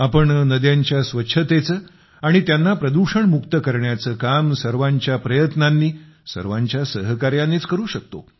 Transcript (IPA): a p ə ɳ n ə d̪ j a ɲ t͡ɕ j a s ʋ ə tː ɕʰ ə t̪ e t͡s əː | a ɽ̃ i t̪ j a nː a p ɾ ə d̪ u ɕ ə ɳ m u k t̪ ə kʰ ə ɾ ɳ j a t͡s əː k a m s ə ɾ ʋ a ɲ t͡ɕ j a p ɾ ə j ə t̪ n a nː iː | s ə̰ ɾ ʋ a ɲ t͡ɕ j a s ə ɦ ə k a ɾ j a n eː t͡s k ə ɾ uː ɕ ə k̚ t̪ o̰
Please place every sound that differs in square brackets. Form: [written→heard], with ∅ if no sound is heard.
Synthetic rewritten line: a p ə ɳ n ə d̪ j a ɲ t͡ɕ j a s ʋ ə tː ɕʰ ə t̪ e t͡s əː | a ɽ̃ i t̪ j a nː a p ɾ ə d̪ u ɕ ə ɳ m u k t̪ ə [kʰ→k] ə ɾ ɳ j a t͡s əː k a m s ə ɾ ʋ a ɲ t͡ɕ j a p ɾ ə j ə t̪ n a nː iː | s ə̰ ɾ ʋ a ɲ t͡ɕ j a s ə ɦ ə k a ɾ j a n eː t͡s k ə ɾ uː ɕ ə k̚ t̪ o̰